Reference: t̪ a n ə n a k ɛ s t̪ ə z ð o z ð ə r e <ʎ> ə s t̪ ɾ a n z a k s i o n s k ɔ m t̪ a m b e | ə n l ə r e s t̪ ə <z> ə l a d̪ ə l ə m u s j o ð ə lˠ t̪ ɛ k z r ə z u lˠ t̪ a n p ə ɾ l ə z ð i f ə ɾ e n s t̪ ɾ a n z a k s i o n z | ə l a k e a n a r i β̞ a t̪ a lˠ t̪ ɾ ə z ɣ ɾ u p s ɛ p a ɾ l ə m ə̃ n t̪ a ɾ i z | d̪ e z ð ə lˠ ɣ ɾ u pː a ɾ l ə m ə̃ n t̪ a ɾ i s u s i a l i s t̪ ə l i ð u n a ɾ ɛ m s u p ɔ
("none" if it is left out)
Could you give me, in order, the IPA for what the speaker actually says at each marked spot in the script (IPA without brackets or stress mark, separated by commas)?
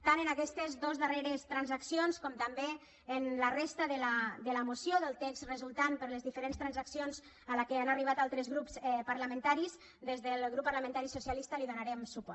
ɾ, ð